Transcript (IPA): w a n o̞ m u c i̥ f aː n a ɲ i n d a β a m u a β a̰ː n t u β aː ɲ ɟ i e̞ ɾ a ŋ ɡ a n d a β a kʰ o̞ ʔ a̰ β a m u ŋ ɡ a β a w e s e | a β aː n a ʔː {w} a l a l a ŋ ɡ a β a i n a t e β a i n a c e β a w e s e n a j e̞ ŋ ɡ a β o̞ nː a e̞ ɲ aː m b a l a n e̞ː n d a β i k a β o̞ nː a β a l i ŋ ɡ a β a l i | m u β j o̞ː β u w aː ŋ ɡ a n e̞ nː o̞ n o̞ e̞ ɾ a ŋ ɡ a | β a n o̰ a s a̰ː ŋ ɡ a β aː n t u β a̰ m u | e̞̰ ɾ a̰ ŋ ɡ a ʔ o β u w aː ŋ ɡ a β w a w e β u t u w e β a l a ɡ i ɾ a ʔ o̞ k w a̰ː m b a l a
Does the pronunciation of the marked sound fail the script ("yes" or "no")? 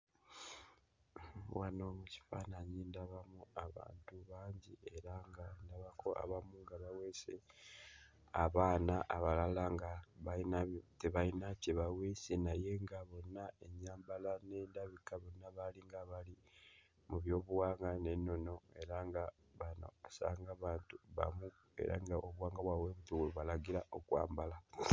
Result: yes